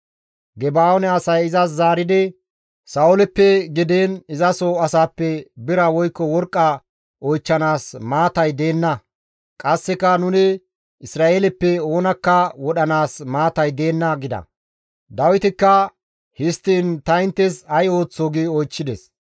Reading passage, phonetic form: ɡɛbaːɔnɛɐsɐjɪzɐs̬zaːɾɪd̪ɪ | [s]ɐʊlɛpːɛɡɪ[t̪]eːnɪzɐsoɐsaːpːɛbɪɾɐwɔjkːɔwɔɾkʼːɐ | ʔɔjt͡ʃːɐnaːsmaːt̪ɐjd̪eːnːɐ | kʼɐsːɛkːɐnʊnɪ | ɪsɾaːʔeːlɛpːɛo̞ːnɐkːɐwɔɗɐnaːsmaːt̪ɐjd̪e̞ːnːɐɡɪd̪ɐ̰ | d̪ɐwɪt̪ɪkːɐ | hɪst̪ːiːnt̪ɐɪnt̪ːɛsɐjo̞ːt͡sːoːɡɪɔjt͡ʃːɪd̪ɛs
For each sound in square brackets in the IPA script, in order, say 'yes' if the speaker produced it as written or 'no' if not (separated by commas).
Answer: yes, no